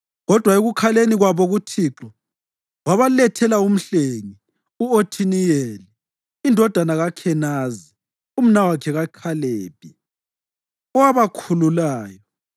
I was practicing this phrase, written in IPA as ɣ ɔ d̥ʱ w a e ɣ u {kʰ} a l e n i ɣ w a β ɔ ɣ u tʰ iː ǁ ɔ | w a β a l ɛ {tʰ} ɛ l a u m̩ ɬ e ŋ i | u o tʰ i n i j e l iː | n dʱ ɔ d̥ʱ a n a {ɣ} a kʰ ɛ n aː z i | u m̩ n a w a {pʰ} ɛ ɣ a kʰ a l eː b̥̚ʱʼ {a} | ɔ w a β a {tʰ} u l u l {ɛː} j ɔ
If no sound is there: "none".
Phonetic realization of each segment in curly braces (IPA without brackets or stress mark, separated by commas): kʰ, tʰ, ɣ, kʰ, i, kʰ, aː